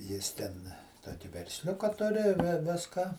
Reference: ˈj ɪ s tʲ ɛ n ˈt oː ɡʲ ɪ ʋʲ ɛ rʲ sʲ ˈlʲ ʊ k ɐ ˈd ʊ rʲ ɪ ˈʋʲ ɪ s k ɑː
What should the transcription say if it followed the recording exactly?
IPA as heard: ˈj ɪ s tʲ ɛ n ˈt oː kʲ ɪ ʋʲ ɛ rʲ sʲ ˈlʲ ʊ k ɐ ˈt ʊ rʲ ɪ ˈʋʲ ɪ s k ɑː